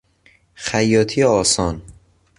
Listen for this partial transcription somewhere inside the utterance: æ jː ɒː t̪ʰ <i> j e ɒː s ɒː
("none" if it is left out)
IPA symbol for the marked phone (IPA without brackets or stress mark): i